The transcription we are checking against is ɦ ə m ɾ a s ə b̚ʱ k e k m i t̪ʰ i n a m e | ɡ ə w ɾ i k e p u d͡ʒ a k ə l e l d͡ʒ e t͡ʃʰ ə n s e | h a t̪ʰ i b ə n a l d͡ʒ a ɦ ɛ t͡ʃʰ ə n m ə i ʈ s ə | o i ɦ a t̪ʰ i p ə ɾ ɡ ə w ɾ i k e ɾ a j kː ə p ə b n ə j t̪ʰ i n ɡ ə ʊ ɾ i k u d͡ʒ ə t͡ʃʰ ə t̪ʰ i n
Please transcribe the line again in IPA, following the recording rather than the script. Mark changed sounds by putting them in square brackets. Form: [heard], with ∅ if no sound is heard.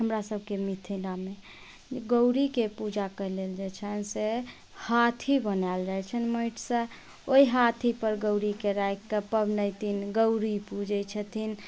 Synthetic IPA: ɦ ə m ɾ a s ə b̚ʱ k e [∅] m i t̪ʰ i n a m e | ɡ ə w ɾ i k e p u d͡ʒ a k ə l e l d͡ʒ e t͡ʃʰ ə n s e | h a t̪ʰ i b ə n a l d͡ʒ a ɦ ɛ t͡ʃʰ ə n m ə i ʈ s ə | o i ɦ a t̪ʰ i p ə ɾ ɡ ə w ɾ i k e ɾ a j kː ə p ə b n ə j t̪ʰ i n ɡ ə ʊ ɾ i [p] u d͡ʒ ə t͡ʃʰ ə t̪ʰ i n